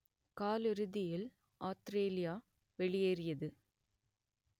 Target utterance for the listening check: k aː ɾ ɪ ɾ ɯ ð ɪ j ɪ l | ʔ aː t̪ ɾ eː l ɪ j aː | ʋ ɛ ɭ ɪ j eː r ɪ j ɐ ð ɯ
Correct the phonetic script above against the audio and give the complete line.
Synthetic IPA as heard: k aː l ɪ ɾ ɯ ð ɪ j ɪ l | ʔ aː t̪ ɾ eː l ɪ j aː | ʋ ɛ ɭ ɪ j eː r ɪ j ɐ ð ɯ

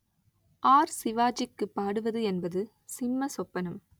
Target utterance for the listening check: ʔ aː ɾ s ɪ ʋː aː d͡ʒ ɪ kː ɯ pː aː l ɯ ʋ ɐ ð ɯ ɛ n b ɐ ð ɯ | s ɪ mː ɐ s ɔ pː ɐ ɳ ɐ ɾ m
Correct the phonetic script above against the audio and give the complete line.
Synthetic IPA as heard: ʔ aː ɾ s ɪ ʋ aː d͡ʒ ɪ kː ɯ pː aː ɽ ɯ ʋ ɐ ð ɯ ɛ n b ɐ ð ɯ | s ɪ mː ɐ s ɔ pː ɐ n ɐ m

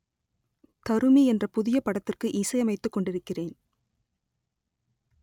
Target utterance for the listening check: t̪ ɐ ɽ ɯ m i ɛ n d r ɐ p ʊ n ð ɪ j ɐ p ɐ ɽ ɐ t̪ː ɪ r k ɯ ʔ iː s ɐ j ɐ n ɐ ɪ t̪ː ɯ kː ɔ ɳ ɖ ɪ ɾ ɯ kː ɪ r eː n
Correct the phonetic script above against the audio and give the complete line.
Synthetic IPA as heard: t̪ ɐ ɾ ɯ m i ɛ n d r ɐ p ʊ ð ɪ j ɐ p ɐ ɽ ɐ t̪ː ɪ r k ɯ ʔ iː s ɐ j ɐ m ɐ ɪ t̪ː ɯ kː ɔ ɳ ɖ ɪ ɾ ɯ kː ɪ r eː n

